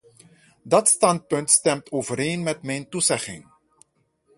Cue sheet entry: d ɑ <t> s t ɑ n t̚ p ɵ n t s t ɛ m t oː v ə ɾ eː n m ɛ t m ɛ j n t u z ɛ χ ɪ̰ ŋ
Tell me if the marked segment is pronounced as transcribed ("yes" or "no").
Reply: yes